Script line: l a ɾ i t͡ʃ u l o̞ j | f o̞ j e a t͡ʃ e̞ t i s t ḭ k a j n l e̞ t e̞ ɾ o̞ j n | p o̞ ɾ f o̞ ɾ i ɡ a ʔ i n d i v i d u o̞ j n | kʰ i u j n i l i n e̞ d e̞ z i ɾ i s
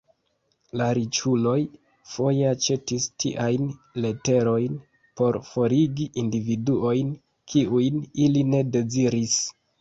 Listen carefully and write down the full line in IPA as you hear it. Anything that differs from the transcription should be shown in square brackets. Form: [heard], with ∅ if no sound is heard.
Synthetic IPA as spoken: l a ɾ i t͡ʃ u l o̞ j | f o̞ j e a t͡ʃ e̞ t i s t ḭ [ʔ] a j n l e̞ t e̞ ɾ o̞ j n | p o̞ ɾ f o̞ ɾ i ɡ [i] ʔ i n d i v i d u o̞ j n | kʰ i u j n i l i n e̞ d e̞ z i ɾ i s